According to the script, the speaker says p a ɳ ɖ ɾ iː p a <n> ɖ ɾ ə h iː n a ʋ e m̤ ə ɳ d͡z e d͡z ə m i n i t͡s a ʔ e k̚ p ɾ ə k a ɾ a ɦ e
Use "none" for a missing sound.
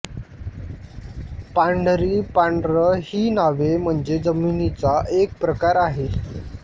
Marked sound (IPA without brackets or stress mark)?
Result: ɳ